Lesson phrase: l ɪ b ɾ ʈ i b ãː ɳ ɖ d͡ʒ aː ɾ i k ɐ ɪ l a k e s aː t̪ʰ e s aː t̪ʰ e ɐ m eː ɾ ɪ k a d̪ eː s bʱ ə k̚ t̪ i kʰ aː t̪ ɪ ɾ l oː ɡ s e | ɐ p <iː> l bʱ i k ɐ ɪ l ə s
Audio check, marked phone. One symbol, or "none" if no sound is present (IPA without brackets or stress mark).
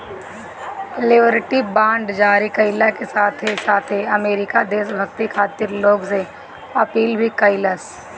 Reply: iː